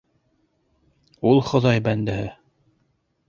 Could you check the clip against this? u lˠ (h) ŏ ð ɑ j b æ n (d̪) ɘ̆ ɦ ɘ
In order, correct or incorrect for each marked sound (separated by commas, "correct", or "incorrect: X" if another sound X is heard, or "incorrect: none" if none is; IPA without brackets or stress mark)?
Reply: incorrect: χ, correct